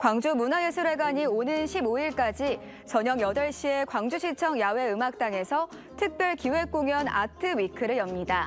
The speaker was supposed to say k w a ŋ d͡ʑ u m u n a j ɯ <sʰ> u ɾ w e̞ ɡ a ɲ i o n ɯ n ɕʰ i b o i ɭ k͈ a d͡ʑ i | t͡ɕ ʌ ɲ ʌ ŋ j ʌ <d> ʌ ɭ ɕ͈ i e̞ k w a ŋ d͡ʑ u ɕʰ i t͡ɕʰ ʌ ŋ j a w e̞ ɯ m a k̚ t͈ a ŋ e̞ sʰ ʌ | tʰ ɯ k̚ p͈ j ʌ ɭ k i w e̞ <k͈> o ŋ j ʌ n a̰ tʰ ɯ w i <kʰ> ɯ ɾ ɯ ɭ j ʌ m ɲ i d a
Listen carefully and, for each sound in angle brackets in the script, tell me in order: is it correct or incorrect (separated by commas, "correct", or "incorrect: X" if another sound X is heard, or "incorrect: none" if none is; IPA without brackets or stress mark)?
correct, correct, correct, correct